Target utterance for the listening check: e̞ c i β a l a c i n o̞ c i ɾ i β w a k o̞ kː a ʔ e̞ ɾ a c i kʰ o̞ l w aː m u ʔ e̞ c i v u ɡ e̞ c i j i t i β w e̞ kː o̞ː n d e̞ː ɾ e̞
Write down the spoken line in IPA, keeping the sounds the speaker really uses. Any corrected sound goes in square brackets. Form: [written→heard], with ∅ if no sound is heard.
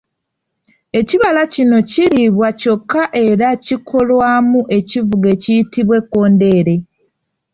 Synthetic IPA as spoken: e̞ c i β a l a c i n o̞ c i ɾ i β w a [k→c] o̞ kː a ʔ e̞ ɾ a c i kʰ o̞ l w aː m u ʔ e̞ c i v u ɡ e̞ c i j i t i β w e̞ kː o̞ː n d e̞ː ɾ e̞